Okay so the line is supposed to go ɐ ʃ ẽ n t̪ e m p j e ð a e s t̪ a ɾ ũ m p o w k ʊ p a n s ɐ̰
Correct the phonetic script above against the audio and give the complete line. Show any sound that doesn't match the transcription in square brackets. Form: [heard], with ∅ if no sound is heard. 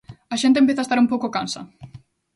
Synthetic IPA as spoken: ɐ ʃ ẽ n t̪ e m p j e [θ] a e s t̪ a ɾ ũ m p o w k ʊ [k] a n s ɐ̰

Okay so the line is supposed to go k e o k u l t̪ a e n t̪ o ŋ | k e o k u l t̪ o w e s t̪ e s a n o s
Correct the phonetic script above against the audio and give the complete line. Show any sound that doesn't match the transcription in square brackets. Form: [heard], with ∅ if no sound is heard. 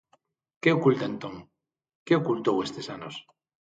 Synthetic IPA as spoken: k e o k u l t̪ a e n t̪ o ŋ | k e o k u l t̪ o w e s t̪ e s a n o s

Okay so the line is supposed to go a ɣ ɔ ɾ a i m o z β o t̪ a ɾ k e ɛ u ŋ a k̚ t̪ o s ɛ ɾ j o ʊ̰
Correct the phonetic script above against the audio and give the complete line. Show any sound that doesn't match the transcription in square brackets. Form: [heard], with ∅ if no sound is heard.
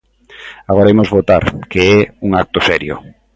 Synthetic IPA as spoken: a ɣ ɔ ɾ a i m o z β o t̪ a ɾ k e ɛ u ŋ a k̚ t̪ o s ɛ ɾ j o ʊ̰

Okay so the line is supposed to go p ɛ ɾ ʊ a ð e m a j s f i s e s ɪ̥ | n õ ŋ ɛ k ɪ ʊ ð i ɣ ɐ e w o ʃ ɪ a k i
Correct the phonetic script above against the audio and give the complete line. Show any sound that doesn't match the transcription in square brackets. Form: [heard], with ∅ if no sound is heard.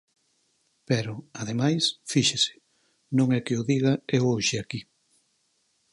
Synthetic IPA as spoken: p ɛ ɾ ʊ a ð e m a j s f i [ʃ] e s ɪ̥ | n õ ŋ ɛ k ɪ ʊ ð i ɣ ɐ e w o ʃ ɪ a k i

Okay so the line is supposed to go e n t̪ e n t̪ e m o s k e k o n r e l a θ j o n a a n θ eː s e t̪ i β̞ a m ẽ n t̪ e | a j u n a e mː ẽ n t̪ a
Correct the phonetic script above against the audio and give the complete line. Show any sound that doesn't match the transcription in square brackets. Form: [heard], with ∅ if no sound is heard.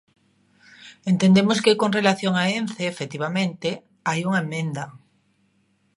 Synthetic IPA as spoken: e n t̪ e n [d̪] e m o s k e k o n r e l a θ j o [ŋ] a [e] n θ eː [f] e t̪ i β̞ a m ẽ n t̪ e | a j u [ŋ] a e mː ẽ n [d̪] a

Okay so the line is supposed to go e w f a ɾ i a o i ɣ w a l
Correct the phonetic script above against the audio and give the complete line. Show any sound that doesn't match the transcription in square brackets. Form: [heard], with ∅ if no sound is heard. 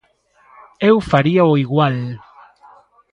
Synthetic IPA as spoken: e w f a ɾ i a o i ɣ w a l

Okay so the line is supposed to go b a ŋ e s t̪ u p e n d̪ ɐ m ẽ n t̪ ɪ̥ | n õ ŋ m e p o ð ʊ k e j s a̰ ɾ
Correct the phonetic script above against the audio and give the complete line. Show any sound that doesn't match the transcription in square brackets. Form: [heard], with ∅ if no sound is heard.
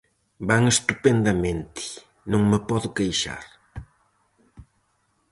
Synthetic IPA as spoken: b a ŋ e s t̪ u p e n d̪ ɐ m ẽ n t̪ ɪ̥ | n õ ŋ m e p [ɔ] ð ʊ k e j [ʃ] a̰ ɾ

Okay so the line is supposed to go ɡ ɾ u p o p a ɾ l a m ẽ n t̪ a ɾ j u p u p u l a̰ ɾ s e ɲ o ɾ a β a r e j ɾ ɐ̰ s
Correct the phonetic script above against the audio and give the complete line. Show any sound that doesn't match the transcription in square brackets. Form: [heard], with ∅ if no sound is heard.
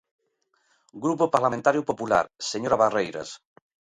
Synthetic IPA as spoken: ɡ ɾ u p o p a ɾ l a m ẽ n t̪ a ɾ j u p [o] p u l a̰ ɾ s e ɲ o ɾ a β a r e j ɾ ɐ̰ s

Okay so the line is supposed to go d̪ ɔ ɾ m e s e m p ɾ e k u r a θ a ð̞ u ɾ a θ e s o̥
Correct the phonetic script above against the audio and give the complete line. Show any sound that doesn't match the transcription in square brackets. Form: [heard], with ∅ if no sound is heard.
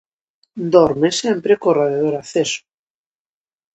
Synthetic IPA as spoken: d̪ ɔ ɾ m e s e m p ɾ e k [o] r a [ð] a ð̞ [o] ɾ a θ e s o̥

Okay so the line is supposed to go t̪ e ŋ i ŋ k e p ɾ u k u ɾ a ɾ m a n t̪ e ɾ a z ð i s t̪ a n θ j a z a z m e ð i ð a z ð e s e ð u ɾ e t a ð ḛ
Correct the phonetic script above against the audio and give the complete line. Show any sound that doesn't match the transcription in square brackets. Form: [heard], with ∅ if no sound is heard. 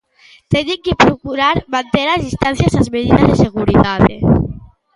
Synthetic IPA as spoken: t̪ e [n] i ŋ k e p ɾ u k u ɾ a ɾ m a n t̪ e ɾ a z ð i s t̪ a n θ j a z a z m e ð i ð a z ð e s e [ɣ] u ɾ [i] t a ð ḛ

